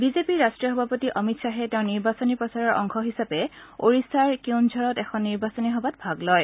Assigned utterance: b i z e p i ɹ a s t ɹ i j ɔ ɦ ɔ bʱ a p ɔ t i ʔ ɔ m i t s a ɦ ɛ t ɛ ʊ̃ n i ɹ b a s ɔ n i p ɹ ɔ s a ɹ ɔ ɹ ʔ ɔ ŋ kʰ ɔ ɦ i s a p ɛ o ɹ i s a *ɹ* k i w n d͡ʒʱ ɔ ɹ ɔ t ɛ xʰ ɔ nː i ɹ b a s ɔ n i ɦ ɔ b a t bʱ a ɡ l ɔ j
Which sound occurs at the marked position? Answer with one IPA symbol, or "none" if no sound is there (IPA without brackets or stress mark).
ɹ